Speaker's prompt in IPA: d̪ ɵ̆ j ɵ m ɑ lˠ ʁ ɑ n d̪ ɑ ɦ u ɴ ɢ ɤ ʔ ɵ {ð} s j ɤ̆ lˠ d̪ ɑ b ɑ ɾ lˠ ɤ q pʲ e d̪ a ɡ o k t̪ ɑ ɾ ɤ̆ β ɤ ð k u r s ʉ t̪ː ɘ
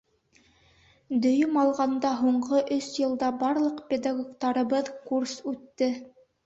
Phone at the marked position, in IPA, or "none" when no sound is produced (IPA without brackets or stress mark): none